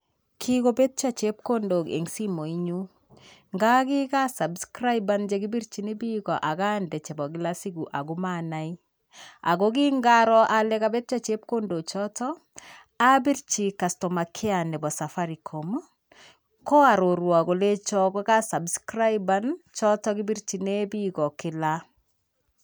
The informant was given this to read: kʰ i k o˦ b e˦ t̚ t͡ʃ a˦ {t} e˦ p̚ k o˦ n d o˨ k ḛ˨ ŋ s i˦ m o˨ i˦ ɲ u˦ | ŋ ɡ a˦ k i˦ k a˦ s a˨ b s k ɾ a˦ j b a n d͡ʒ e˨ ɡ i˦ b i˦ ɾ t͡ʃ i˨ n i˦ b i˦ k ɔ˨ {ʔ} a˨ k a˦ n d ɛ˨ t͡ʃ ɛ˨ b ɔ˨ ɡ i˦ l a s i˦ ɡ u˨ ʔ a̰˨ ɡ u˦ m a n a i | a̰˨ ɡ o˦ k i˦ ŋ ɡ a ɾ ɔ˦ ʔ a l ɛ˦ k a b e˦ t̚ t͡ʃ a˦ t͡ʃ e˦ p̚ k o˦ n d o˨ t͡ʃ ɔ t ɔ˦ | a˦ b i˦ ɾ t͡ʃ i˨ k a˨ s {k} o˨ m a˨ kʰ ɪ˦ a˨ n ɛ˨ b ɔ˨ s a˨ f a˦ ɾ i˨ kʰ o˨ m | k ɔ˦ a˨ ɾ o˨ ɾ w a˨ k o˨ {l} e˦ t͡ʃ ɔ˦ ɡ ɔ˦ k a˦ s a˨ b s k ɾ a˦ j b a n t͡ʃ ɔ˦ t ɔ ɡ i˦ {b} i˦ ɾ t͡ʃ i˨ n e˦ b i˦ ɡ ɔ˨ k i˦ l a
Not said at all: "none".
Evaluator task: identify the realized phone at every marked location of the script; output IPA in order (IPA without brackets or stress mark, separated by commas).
t͡ʃ, ʔ, t, l, b